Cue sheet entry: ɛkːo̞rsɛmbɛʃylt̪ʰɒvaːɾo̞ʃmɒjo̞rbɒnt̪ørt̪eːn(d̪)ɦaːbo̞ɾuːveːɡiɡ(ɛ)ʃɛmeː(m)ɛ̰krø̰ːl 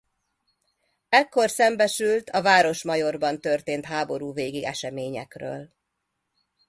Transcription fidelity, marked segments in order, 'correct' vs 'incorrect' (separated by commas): incorrect, correct, incorrect